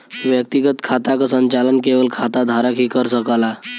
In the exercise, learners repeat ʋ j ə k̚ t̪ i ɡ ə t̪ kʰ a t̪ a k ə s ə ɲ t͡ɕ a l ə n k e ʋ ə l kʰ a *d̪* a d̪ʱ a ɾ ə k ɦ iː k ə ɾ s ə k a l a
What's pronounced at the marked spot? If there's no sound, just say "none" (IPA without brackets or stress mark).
t̪